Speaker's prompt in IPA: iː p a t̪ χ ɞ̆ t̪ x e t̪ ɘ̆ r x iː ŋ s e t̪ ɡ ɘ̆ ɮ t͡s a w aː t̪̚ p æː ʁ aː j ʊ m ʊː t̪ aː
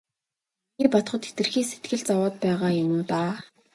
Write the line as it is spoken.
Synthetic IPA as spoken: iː p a t̪ χ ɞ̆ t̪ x e t̪ ɘ̆ r x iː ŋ s e t̪ ɡ ɘ̆ ɮ t͡s a w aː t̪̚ p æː ʁ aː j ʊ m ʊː t̪ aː